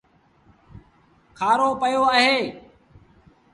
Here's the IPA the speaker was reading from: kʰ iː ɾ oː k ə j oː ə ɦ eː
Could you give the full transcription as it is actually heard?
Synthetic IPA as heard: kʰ aː ɾ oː p ə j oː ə ɦ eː